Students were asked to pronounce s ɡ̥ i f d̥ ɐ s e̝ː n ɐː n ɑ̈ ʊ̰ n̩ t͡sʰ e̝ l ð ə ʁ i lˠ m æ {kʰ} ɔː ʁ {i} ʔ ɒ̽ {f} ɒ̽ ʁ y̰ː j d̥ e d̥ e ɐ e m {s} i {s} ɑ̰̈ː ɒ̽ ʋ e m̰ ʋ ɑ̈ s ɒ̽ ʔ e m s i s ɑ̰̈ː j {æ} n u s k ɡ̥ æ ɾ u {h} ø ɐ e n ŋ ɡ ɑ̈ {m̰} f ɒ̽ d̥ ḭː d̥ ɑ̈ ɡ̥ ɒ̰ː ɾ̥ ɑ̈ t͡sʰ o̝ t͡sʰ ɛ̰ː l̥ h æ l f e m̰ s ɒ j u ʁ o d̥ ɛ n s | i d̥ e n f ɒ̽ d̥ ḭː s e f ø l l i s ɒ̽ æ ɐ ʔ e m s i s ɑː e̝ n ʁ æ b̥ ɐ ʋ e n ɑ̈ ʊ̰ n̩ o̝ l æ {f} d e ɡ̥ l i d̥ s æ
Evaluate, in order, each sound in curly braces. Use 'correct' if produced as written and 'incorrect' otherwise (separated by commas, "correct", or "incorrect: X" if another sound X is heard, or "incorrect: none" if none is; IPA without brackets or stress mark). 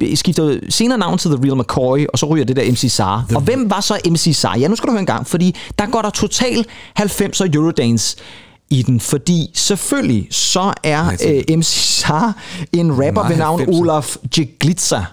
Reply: correct, correct, incorrect: s, correct, correct, correct, correct, incorrect: ŋ̰, correct